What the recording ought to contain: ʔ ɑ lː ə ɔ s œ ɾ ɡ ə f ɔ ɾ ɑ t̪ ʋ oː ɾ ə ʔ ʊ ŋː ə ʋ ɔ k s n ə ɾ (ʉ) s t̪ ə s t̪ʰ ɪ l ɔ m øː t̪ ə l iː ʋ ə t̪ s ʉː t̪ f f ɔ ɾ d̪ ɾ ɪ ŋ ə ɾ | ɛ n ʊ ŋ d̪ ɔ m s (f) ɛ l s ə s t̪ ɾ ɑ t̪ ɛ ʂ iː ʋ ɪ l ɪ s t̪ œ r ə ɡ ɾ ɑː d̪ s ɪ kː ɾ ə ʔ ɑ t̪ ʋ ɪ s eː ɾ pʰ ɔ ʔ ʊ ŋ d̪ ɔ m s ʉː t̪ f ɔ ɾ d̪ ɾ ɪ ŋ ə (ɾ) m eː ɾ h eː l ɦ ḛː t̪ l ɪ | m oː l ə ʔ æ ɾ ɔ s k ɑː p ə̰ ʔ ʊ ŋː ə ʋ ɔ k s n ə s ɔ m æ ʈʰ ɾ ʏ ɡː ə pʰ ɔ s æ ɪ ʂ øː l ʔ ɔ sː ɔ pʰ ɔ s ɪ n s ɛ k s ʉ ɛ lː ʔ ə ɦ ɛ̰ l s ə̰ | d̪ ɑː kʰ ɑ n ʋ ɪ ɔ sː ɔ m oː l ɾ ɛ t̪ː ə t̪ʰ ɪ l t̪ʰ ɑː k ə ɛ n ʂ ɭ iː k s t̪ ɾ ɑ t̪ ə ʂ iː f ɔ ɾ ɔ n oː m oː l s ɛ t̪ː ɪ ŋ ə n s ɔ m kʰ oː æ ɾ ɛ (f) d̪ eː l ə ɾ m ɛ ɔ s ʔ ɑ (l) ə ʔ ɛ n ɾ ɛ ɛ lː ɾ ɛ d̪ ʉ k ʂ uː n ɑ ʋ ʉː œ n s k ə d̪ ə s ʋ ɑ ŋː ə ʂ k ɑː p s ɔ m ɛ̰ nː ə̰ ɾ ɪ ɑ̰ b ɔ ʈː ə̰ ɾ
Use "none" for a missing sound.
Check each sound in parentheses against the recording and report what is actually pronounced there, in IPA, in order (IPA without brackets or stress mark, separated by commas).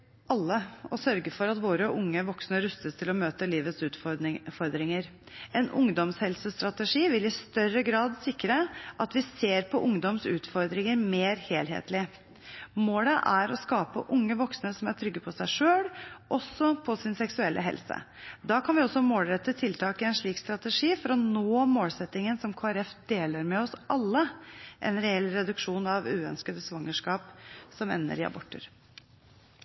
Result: ʉ, h, ɾ, f, lː